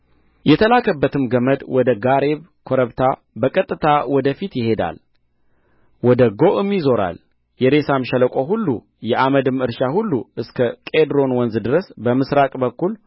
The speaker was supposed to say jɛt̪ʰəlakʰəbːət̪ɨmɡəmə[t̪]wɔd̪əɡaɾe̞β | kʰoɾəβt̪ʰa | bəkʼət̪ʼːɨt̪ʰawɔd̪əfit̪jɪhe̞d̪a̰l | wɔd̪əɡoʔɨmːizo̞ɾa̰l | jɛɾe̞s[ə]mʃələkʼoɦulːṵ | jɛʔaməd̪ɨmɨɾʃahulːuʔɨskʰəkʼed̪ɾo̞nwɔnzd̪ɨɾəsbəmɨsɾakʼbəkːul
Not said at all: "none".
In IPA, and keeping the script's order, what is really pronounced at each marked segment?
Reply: d̪, a

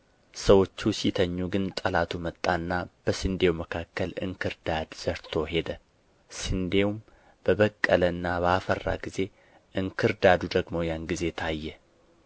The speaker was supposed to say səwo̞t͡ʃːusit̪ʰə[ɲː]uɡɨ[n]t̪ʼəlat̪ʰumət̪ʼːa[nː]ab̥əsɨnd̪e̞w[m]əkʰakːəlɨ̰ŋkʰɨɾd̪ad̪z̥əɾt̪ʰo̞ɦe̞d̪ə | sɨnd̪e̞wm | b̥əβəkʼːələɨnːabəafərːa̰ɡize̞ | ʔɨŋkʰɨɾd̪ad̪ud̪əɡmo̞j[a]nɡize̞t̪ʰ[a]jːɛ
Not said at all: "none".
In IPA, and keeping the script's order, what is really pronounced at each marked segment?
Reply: ɲː, n, nː, m, a, a

